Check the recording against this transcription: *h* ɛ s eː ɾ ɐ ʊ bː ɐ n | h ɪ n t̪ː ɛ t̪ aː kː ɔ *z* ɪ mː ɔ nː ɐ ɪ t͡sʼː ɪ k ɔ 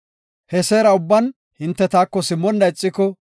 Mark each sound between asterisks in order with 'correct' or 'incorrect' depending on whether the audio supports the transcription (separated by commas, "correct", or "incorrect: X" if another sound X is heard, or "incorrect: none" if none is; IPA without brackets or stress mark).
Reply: correct, incorrect: s